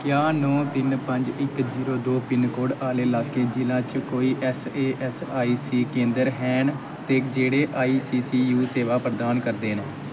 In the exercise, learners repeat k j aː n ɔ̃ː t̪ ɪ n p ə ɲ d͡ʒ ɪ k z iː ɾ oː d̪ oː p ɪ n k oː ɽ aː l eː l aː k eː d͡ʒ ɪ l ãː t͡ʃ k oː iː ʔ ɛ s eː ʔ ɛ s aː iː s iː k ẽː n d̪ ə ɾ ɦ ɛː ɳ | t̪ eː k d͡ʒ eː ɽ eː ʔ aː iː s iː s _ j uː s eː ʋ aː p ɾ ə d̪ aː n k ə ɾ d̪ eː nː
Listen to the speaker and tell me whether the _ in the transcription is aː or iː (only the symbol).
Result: iː